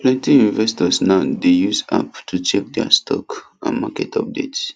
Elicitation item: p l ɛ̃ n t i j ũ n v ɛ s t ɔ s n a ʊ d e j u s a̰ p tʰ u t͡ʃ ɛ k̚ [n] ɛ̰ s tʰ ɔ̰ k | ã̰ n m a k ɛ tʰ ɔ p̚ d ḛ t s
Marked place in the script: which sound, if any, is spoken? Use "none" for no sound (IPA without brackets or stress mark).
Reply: d